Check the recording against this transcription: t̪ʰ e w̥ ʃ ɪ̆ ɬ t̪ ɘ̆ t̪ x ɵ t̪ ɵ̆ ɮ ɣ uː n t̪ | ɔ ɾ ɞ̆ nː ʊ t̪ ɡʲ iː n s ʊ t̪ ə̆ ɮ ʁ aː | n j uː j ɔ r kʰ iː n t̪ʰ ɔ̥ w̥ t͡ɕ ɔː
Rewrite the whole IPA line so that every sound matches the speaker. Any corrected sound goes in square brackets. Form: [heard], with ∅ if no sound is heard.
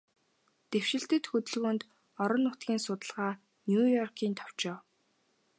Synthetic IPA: [t̪] e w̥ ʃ ɪ̆ ɬ t̪ ɘ̆ t̪ x ɵ t̪ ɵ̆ ɮ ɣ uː n t̪ | ɔ ɾ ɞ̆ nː ʊ t̪ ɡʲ iː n s ʊ t̪ ə̆ ɮ ʁ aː | n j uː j ɔ r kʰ iː n t̪ʰ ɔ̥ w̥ t͡ɕ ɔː